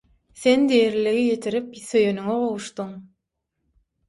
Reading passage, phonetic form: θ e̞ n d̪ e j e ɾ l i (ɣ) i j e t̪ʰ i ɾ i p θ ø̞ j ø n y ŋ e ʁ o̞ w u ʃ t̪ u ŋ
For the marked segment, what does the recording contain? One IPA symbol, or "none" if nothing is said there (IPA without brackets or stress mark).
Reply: ɣ